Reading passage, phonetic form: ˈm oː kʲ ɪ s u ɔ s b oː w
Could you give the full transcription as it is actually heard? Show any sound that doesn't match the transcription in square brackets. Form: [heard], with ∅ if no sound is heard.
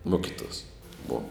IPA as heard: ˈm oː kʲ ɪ [t] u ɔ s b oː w